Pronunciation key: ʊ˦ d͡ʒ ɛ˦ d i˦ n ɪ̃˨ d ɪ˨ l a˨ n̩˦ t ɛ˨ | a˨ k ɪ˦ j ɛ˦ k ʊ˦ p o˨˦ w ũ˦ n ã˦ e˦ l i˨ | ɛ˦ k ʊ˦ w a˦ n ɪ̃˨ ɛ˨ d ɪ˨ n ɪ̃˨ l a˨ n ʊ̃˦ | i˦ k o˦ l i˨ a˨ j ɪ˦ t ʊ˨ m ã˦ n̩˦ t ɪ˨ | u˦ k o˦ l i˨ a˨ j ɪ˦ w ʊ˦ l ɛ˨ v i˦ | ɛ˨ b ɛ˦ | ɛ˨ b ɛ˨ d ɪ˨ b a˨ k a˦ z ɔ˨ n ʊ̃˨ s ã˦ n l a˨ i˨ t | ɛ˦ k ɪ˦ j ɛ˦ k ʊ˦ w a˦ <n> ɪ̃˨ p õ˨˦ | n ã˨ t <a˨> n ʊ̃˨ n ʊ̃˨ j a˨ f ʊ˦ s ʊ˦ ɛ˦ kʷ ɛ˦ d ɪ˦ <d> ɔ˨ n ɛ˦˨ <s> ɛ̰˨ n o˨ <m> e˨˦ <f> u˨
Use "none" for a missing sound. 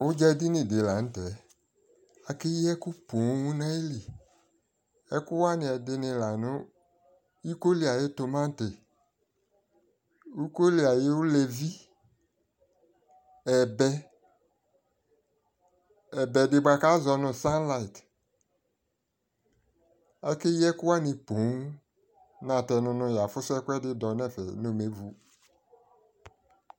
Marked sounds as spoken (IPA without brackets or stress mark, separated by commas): n, ɛ˨, d, f, m, v